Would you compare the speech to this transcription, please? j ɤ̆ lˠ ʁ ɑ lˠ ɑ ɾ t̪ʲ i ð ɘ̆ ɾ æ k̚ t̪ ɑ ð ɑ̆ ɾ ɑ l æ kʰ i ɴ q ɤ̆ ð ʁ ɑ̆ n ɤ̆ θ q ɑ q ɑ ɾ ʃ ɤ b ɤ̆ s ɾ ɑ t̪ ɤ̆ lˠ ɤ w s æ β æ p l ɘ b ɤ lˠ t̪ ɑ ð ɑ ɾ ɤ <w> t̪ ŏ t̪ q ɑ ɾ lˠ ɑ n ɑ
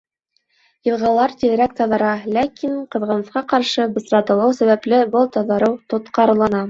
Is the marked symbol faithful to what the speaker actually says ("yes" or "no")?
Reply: yes